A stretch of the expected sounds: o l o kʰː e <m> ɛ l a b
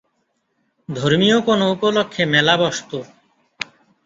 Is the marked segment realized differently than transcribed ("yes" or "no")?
no